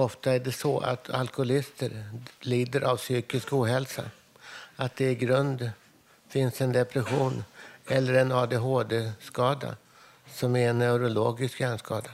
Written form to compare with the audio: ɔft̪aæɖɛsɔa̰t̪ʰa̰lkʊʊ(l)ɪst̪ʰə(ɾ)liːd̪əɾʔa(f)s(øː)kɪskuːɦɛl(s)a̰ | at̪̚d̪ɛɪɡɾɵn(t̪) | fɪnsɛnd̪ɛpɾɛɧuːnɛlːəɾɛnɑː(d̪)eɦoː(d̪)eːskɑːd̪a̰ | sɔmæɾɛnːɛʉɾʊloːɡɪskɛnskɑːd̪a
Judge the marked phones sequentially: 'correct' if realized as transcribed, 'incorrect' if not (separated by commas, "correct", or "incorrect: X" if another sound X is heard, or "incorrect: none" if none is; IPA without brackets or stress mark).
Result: correct, correct, incorrect: v, incorrect: yː, correct, incorrect: d̪, correct, correct